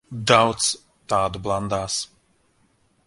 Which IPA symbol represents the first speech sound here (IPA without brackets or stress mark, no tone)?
d̪